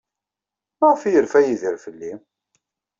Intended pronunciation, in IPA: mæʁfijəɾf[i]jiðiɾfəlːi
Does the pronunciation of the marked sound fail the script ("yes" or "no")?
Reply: yes